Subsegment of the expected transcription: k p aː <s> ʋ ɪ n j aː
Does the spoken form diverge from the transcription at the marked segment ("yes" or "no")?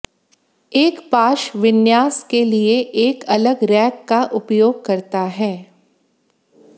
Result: yes